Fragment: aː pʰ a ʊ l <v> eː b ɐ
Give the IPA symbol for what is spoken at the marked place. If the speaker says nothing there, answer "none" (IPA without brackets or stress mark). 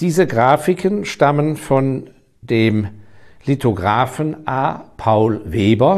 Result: v